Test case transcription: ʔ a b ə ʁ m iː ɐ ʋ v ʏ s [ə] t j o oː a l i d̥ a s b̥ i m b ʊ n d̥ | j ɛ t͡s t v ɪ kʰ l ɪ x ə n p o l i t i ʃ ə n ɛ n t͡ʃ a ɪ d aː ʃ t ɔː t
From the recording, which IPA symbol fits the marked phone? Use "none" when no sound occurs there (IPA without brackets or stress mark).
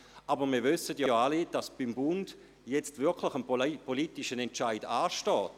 ə